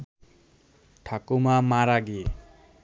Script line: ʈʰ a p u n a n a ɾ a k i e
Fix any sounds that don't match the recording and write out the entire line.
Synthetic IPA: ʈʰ a k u m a m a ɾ a ɡ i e